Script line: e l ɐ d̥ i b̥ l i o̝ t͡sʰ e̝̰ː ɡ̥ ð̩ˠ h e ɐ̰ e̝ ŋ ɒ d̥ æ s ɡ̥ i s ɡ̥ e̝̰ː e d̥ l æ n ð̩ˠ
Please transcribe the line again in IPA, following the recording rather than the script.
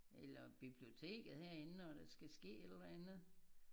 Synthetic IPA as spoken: e l ɐ b̥ i b̥ l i o̝ t͡sʰ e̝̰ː ɡ̥ ð̩ˠ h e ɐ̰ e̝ n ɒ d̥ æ s ɡ̥ æ s ɡ̥ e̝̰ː e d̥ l æ n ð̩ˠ